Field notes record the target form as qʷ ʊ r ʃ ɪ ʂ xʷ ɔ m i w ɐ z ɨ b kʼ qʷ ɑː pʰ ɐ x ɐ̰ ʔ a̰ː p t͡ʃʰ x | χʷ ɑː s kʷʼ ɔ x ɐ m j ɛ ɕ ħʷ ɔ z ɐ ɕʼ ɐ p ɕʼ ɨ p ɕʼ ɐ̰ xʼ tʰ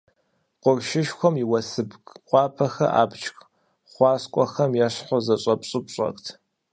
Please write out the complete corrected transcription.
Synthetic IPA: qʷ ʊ r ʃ ɪ ʃ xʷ ɔ m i w ɐ s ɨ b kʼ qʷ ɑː pʰ ɐ x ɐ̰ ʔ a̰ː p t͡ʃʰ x | χʷ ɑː s kʷʼ ɔ x ɐ m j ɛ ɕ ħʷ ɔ z ɐ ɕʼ ɐ p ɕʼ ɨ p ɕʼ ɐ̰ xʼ tʰ